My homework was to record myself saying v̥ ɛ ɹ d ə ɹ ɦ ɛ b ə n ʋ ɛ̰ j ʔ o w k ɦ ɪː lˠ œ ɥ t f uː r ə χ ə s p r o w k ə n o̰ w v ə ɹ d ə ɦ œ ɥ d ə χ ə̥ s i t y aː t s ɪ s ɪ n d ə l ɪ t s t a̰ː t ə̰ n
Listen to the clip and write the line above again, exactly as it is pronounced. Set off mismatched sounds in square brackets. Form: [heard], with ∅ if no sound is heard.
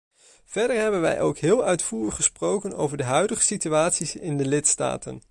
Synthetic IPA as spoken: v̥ ɛ ɹ d ə ɹ ɦ ɛ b ə n ʋ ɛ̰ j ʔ o w k ɦ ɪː lˠ œ ɥ t f uː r ə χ ə s p r o w k ə n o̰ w v ə ɹ d ə ɦ œ ɥ d ə χ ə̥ s i t y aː t s [i] s ɪ n d ə l ɪ t s t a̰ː t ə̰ n